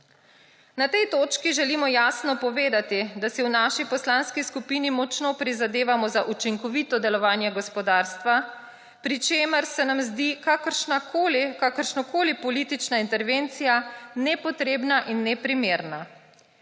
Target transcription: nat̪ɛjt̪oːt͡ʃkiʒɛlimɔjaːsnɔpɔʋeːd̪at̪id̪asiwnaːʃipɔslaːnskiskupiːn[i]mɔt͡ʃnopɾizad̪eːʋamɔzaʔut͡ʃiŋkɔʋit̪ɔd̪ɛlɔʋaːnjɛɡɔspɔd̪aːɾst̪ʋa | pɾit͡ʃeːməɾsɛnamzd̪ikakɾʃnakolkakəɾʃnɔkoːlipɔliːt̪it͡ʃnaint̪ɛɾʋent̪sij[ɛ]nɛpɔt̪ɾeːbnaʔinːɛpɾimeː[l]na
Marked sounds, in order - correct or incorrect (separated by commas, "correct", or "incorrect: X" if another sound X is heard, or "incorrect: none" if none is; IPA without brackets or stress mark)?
correct, incorrect: a, incorrect: ɾ